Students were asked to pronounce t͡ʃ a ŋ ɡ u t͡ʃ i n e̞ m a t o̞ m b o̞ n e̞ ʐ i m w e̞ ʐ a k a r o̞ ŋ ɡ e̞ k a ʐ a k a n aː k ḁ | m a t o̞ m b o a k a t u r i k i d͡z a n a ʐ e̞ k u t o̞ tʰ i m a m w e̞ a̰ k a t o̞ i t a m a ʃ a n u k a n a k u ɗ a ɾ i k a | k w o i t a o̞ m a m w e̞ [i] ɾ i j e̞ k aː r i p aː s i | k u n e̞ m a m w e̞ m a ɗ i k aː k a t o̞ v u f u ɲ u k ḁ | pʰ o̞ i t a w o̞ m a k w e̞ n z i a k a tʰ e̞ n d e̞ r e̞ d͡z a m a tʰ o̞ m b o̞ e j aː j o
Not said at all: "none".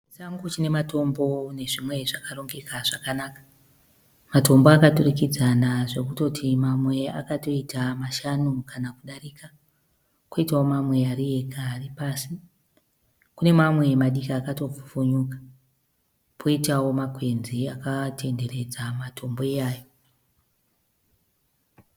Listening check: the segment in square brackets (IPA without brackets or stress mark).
a